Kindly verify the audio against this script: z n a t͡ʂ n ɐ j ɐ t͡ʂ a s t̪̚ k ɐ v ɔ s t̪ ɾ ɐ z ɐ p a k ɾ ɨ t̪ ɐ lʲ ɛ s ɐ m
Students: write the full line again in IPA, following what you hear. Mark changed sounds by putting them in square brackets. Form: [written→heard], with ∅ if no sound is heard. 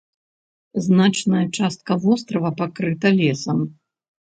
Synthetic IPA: z n a t͡ʂ n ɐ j ɐ t͡ʂ a s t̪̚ k ɐ v ɔ s t̪ ɾ ɐ [z→v] ɐ p a k ɾ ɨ t̪ ɐ lʲ ɛ s ɐ m